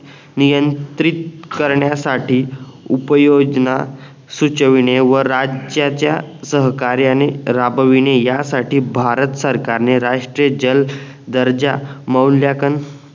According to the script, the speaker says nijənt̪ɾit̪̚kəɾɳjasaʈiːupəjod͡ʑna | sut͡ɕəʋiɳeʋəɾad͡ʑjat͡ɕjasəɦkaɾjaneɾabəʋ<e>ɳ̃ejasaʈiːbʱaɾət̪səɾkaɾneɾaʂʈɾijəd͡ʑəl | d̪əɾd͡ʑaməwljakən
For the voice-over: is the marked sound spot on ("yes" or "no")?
no